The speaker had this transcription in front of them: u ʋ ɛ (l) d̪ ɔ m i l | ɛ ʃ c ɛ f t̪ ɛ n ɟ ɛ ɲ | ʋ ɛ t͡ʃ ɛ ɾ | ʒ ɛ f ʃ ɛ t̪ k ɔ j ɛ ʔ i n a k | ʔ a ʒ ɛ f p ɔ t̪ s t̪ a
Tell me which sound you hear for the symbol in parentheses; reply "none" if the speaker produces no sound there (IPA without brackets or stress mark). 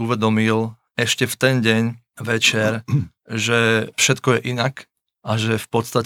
none